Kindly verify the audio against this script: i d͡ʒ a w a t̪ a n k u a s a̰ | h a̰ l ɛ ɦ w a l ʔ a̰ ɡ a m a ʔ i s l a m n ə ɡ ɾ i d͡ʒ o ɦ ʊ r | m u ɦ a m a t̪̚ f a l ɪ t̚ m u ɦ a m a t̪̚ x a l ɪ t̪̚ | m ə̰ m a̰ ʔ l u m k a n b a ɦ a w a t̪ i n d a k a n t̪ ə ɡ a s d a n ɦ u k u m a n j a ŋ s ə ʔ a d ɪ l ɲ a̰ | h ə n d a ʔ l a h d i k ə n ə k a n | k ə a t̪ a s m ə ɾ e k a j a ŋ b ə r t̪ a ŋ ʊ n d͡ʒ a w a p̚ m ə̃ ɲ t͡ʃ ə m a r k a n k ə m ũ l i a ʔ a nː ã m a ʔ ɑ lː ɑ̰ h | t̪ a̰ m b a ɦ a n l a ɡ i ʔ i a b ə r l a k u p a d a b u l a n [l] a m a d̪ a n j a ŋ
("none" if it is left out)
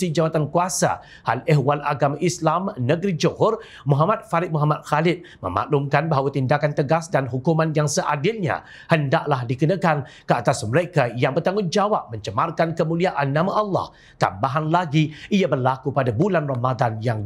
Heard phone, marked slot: r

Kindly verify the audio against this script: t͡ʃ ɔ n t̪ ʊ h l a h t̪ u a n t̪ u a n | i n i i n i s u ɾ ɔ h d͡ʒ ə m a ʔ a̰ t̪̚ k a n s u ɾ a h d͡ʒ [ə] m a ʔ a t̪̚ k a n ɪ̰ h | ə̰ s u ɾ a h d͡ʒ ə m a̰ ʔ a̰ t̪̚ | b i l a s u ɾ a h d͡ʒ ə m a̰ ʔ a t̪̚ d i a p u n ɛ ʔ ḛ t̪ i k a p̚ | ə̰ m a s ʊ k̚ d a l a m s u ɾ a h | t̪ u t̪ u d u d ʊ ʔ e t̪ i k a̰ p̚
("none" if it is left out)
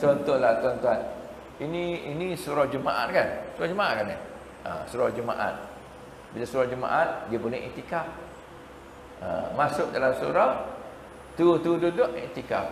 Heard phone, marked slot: ə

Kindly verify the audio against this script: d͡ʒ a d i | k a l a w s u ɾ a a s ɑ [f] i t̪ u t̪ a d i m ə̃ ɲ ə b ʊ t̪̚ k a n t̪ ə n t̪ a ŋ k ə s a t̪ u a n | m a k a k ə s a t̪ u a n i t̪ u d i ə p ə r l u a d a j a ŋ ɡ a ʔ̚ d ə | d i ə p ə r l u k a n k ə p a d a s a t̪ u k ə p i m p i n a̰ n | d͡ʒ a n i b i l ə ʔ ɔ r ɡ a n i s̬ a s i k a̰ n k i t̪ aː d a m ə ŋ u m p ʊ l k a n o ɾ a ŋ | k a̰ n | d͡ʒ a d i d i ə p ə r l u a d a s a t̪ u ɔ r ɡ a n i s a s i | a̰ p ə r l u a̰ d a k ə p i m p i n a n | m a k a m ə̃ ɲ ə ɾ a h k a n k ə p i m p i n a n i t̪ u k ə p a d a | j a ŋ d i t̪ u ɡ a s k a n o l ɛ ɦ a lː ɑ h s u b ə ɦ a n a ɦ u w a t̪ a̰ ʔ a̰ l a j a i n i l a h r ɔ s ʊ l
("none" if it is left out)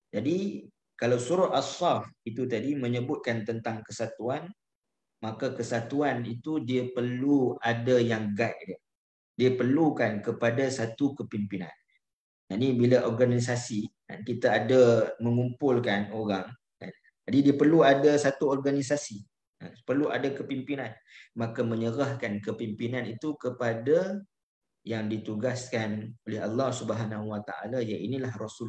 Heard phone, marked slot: f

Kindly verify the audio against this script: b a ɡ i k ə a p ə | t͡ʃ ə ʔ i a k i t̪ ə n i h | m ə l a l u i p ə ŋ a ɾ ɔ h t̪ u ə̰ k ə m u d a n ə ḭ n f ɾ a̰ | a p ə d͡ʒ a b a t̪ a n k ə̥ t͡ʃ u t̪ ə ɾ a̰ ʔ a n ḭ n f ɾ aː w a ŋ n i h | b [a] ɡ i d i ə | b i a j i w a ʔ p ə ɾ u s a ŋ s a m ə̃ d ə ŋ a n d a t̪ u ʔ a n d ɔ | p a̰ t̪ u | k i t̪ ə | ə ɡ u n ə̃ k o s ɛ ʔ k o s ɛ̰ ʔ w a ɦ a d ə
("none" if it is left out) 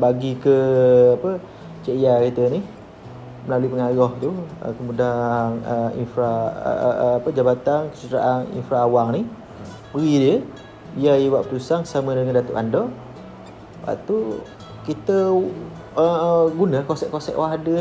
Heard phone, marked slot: ə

